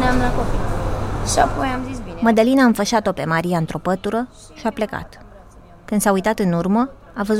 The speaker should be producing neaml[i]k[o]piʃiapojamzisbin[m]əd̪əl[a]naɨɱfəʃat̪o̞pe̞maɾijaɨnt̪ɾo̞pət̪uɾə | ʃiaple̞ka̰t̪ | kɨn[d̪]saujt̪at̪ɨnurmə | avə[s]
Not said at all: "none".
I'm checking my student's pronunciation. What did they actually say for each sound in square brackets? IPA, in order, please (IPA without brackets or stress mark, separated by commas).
a, o, m, i, d̪, z